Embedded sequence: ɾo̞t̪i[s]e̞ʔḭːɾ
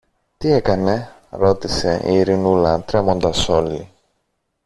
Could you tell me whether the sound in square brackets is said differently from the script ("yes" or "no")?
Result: no